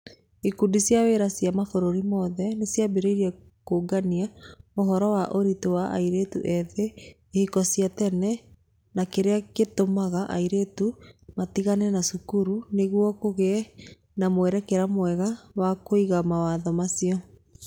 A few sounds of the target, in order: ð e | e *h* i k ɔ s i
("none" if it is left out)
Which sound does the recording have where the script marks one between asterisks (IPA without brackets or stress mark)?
h